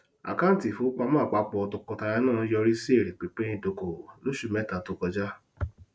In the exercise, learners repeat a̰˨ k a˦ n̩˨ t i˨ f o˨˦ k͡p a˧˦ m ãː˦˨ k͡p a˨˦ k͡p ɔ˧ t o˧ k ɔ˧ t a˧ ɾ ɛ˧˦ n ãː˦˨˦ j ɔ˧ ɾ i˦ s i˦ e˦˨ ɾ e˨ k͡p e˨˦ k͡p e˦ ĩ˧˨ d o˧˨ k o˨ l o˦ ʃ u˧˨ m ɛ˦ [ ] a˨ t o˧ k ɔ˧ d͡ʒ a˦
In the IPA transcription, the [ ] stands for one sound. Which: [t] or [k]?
t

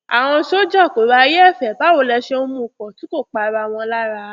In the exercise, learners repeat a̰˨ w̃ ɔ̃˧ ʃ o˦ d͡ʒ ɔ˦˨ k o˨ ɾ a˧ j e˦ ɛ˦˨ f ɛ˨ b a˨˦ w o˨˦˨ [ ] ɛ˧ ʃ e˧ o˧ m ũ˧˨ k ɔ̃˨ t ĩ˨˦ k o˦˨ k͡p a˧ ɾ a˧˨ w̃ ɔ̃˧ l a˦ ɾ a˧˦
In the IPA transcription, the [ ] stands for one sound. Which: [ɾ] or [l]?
l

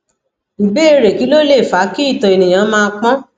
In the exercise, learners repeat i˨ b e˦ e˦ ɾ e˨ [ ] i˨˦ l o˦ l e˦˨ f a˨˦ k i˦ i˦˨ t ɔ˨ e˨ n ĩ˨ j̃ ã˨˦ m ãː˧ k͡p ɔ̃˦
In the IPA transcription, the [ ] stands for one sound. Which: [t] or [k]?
k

